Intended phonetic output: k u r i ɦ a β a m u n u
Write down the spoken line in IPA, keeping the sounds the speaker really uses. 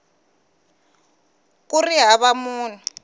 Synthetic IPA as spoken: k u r i ɦ a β a m uː n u

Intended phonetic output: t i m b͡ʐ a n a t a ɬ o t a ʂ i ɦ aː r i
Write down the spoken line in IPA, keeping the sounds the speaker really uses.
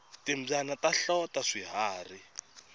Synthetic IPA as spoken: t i m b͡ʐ a n a t a ɬ ɔ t a ʂ i ɦ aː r i

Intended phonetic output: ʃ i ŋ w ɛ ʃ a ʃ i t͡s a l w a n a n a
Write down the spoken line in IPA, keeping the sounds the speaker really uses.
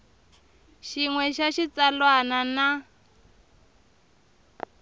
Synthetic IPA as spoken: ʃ i ŋ w ɛ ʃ a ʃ i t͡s a l w a n a n a

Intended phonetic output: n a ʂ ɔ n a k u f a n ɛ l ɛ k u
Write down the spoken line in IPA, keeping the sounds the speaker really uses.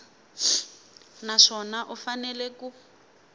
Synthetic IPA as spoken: n a ʂ ɔ n a ʔ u f a n ɛ l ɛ k u

